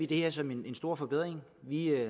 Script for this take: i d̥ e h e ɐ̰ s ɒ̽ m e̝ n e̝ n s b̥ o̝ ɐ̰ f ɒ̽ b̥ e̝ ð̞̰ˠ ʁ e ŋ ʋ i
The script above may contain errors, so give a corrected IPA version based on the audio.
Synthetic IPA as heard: i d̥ e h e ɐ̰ s ɒ̽ m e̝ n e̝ n s d̥ o̝ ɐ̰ f ɒ̽ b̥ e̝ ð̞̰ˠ ʁ e ŋ ʋ i